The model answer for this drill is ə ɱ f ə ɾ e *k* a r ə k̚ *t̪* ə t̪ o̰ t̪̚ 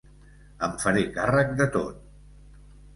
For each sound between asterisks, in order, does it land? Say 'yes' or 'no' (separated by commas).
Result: yes, no